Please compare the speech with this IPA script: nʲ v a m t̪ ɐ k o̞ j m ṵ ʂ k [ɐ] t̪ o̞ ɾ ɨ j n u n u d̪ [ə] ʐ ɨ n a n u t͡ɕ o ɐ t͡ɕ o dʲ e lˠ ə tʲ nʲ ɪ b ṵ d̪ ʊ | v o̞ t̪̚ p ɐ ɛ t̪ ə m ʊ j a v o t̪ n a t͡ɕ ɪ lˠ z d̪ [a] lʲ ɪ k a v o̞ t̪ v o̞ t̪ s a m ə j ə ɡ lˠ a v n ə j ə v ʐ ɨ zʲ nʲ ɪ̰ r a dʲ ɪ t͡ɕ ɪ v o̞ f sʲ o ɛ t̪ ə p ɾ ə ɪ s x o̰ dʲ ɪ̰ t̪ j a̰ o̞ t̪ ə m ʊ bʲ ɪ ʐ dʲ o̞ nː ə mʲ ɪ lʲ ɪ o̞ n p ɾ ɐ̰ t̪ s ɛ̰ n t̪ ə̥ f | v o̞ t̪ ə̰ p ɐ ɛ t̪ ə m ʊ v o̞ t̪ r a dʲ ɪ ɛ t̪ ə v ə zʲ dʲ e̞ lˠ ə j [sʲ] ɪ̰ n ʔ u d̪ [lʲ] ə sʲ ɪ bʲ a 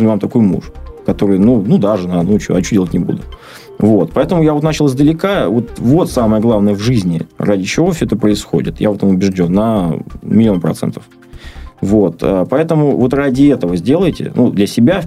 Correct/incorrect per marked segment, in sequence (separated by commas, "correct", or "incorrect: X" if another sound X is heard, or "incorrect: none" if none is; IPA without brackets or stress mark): correct, incorrect: a, incorrect: ə, incorrect: tʲ, correct